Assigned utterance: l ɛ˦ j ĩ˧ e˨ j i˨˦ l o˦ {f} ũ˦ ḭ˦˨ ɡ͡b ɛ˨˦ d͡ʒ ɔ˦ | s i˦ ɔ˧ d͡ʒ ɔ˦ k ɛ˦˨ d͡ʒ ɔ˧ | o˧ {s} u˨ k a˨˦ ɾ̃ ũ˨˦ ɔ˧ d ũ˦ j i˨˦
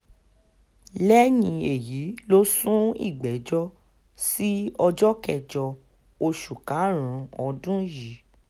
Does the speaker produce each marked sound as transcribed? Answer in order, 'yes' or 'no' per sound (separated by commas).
no, no